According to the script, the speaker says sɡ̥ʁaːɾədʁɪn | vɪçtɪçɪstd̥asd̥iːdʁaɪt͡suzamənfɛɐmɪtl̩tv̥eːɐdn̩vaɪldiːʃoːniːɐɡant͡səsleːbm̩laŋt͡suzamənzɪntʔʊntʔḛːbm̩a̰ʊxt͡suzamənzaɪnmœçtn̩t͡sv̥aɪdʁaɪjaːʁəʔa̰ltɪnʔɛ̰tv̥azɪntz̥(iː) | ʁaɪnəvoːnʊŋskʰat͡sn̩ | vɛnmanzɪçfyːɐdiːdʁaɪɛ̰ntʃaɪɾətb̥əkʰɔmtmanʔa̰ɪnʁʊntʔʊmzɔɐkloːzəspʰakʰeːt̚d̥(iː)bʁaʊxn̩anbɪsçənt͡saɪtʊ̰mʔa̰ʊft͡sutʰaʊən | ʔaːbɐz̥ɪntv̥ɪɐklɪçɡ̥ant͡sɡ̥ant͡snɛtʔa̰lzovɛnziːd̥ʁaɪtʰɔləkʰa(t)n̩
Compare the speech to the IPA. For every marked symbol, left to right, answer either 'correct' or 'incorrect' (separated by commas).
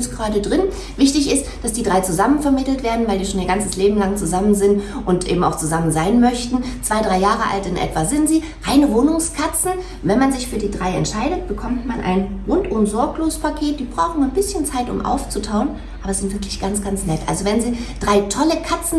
correct, correct, incorrect